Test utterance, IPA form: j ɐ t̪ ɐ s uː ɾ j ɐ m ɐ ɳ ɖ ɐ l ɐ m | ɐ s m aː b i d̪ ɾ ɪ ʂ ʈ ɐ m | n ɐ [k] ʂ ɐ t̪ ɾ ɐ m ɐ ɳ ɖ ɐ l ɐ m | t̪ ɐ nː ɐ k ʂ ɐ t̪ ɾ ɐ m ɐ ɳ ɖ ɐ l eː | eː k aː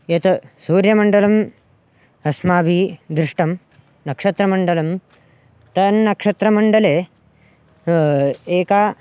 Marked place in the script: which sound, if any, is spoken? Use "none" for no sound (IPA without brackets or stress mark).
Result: k